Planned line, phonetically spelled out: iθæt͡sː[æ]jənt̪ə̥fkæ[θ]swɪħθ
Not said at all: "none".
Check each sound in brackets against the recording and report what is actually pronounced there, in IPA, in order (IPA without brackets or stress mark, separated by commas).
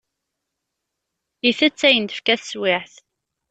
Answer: æ, θ